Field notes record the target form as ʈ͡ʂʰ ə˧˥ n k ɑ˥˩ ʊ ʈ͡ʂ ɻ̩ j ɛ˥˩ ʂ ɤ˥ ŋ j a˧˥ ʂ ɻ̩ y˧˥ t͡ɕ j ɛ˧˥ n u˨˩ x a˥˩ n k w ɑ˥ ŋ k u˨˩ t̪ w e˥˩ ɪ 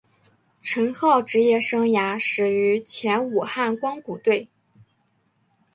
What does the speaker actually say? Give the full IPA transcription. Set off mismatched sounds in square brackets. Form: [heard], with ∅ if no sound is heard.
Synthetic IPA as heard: ʈ͡ʂʰ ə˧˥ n [x] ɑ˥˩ ʊ ʈ͡ʂ ɻ̩ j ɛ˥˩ ʂ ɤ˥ ŋ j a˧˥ ʂ ɻ̩ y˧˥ [t͡ɕʰ] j ɛ˧˥ n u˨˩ x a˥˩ n k w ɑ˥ ŋ k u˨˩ t̪ w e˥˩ ɪ